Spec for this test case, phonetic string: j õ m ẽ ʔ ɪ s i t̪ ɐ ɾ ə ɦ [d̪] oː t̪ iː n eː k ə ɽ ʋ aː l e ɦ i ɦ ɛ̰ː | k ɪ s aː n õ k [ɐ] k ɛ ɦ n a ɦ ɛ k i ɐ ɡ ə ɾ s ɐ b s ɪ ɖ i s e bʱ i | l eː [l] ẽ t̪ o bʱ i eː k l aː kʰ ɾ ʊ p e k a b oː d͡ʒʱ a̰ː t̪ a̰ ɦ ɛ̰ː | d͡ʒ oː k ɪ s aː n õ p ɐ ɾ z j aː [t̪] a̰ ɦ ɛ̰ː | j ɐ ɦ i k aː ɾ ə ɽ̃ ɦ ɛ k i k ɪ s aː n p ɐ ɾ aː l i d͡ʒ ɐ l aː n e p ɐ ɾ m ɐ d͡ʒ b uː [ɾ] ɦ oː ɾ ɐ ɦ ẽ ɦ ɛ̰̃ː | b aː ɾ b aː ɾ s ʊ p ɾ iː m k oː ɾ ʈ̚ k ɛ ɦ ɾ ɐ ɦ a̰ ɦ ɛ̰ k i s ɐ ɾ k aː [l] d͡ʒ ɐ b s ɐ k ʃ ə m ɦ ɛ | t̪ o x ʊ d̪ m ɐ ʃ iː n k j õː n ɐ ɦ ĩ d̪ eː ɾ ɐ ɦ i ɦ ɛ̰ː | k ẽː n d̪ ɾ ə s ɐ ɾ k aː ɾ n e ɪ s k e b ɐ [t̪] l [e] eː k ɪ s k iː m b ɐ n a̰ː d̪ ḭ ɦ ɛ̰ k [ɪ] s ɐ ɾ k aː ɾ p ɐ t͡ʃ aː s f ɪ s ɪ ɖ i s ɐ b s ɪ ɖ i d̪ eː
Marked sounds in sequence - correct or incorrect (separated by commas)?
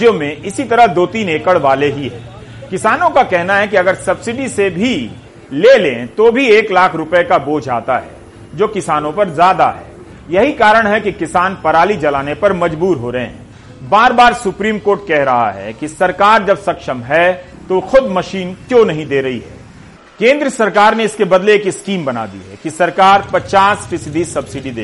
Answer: correct, incorrect, correct, incorrect, correct, incorrect, incorrect, correct, incorrect